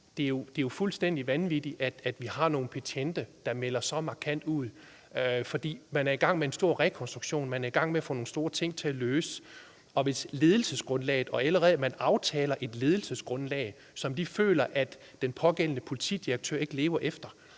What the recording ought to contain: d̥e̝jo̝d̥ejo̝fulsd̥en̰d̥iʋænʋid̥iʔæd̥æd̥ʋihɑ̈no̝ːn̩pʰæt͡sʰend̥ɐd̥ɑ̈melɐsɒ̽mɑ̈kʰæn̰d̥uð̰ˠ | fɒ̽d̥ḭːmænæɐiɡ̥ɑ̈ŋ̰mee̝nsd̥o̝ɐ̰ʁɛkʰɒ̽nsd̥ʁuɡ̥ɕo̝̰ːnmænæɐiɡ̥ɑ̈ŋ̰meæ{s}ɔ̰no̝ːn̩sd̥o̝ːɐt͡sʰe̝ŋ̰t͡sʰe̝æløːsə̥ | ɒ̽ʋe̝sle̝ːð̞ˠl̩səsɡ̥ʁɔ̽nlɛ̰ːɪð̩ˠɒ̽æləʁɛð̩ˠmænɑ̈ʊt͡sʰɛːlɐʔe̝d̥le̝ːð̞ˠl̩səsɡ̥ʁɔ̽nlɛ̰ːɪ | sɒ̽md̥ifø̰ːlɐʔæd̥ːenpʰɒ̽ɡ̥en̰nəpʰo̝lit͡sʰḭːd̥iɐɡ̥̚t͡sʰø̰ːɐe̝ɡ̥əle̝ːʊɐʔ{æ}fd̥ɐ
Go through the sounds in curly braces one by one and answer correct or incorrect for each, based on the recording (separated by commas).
incorrect, incorrect